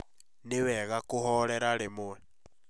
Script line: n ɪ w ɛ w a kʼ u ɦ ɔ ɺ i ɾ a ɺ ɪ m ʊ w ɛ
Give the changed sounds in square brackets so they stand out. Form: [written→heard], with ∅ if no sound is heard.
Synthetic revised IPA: n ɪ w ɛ [w→ɣ] a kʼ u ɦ ɔ ɺ [i→ɛ] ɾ a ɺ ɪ m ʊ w ɛ